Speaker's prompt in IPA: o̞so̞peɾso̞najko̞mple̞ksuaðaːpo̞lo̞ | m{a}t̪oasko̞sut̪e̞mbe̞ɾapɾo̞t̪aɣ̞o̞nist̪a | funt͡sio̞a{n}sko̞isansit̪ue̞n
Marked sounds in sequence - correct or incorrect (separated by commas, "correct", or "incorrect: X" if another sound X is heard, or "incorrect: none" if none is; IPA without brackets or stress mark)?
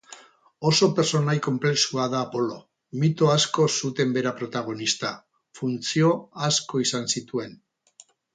incorrect: i, incorrect: none